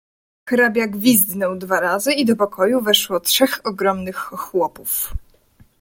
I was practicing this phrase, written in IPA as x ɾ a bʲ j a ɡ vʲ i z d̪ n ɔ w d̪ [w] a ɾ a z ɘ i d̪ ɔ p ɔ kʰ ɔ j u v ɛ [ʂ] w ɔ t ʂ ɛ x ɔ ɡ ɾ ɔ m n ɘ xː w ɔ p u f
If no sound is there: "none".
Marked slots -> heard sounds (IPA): v, ʂ

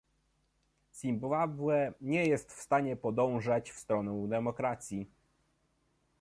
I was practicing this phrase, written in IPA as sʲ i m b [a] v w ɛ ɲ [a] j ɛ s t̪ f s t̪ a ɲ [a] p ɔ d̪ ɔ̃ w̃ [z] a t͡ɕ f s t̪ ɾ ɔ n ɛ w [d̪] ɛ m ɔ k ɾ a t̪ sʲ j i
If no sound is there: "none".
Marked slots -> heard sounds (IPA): a, ɛ, ɛ, ʐ, d̪

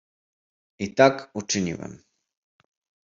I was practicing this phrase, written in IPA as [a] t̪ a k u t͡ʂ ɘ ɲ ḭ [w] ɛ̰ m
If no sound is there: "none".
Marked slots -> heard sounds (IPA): i, w

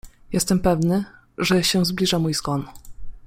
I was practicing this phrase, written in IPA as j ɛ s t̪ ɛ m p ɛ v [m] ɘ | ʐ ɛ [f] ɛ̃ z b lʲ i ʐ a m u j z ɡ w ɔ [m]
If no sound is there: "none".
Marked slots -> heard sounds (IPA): n, ɕ, n

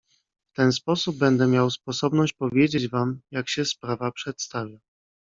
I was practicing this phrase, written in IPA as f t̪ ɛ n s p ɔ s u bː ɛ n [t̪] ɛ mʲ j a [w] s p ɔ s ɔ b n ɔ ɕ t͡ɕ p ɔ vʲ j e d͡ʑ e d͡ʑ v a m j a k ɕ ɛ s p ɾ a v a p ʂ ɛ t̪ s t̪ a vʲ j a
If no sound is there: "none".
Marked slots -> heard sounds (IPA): d̪, w

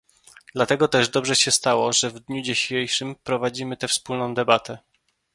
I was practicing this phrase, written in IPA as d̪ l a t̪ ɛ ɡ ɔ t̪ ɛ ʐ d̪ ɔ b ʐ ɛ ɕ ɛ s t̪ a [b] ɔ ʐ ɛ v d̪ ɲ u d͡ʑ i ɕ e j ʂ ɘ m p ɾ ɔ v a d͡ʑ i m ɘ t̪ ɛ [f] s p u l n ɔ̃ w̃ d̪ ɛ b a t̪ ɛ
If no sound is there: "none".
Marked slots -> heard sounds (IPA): w, f

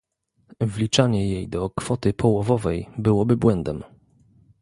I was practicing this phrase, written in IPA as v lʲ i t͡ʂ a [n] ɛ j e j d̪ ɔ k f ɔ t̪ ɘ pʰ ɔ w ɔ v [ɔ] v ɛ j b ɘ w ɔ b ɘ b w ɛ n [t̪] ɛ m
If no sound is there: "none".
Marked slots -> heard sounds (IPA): ɲ, ɔ, d̪

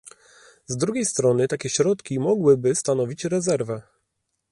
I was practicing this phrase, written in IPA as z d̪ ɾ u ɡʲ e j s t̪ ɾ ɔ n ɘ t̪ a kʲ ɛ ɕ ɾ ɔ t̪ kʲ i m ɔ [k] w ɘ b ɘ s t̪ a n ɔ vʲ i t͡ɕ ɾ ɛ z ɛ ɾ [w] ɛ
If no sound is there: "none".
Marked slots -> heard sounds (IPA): ɡ, v

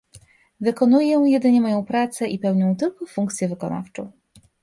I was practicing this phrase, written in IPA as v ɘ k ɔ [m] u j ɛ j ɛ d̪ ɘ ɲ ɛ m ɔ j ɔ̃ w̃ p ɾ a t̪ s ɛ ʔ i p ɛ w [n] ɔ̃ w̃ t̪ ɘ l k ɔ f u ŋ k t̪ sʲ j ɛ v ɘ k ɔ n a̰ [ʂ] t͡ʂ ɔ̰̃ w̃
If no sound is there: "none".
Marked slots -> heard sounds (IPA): n, ɲ, f

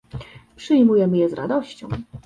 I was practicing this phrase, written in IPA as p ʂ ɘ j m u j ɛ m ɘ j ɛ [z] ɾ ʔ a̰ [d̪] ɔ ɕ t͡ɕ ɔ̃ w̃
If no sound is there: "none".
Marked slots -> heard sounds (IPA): z, d̪

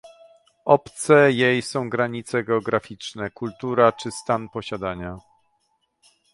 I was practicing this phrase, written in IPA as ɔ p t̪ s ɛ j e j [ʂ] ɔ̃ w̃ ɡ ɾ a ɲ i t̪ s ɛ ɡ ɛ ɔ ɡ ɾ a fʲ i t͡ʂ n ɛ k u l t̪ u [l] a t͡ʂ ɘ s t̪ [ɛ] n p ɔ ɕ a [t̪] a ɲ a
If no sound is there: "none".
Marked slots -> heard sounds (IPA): s, ɾ, a, d̪

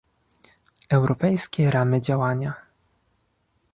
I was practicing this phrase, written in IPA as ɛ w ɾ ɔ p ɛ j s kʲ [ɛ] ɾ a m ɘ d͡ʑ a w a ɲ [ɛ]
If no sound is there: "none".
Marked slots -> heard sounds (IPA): ɛ, a

